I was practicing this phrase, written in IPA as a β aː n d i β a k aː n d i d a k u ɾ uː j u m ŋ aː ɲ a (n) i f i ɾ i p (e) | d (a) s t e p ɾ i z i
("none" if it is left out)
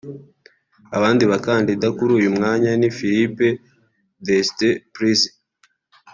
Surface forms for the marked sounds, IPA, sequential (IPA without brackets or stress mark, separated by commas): n, e, e